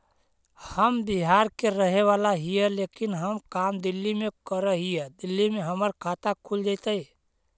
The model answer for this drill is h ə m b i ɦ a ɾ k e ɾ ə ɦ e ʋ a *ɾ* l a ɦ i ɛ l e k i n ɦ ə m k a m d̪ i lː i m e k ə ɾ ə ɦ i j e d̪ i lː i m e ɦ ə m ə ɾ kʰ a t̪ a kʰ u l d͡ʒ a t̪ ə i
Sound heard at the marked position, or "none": none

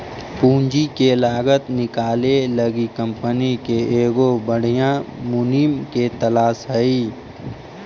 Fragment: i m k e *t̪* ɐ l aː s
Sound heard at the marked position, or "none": t̪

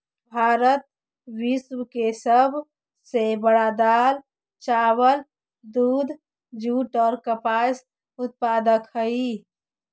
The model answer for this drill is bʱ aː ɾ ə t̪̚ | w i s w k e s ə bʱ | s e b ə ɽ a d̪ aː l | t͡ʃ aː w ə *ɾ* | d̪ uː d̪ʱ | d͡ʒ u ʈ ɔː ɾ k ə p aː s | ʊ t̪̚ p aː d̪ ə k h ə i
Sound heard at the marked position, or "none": l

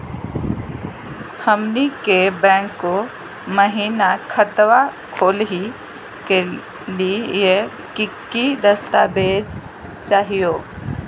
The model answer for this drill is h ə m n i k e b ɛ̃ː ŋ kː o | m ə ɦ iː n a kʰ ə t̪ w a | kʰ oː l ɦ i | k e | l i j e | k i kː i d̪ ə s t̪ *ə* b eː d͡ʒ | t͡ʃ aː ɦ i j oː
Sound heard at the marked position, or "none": a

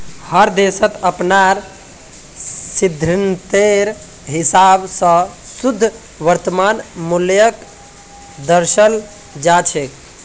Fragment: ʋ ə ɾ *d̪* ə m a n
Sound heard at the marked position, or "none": t̪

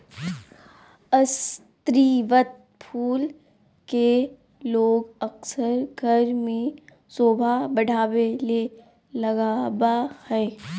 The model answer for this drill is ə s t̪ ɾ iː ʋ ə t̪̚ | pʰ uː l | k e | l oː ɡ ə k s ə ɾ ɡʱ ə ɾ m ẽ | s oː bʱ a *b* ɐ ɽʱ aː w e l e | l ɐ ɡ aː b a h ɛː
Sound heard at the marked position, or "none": b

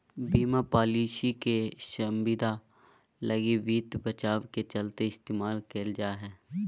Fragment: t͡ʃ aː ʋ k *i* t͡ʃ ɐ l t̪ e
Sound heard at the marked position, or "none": e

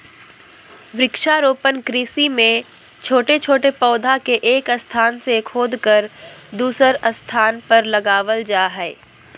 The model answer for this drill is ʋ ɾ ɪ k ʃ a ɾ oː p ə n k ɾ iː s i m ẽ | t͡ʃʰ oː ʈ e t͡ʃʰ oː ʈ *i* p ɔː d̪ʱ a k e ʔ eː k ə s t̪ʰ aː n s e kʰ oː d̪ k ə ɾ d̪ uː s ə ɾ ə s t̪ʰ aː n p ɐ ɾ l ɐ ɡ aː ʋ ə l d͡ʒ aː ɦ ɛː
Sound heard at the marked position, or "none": e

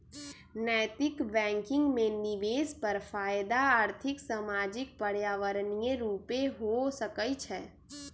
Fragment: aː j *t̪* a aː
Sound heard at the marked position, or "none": d̪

